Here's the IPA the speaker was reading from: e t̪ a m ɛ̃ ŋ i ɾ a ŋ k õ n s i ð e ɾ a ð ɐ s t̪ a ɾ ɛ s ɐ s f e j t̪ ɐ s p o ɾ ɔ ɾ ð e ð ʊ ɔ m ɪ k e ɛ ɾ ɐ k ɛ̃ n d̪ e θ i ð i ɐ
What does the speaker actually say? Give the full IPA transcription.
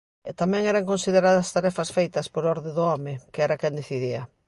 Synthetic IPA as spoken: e t̪ a m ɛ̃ ŋ ɛ ɾ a ŋ k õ n s i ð e ɾ a ð ɐ s t̪ a ɾ ɛ f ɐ s f e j t̪ ɐ s p o ɾ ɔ ɾ ð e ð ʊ ɔ m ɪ k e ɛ ɾ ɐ k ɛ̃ n d̪ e θ i ð i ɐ